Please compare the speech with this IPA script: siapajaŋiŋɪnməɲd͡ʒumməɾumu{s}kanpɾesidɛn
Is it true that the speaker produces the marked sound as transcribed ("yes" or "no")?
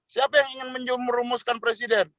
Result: yes